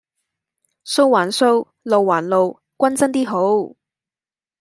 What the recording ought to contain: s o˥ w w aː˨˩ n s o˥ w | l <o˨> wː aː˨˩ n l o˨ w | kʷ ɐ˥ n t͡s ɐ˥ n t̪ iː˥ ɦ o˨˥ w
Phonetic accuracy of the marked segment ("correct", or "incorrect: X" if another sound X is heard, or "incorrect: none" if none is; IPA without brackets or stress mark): correct